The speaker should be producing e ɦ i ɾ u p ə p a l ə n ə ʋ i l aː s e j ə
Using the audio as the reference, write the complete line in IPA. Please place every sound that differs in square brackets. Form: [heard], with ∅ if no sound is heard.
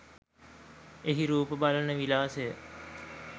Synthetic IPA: e ɦ i ɾ [uː] p ə [b] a l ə n ə ʋ i l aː s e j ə